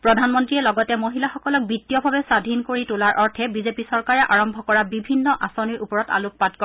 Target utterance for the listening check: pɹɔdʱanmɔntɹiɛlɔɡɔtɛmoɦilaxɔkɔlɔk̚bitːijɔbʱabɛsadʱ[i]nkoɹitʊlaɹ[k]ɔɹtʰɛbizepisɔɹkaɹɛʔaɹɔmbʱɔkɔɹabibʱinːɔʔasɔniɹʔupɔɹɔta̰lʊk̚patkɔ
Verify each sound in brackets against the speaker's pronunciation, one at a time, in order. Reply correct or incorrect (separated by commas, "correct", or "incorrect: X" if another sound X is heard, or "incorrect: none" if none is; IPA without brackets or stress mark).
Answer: correct, incorrect: ʔ